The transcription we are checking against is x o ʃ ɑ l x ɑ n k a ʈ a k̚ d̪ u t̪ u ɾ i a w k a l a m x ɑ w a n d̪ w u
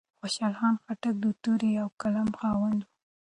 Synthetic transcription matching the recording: x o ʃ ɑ l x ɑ n x a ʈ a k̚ d̪ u t̪ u ɾ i a w k a l a m x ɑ w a n d̪ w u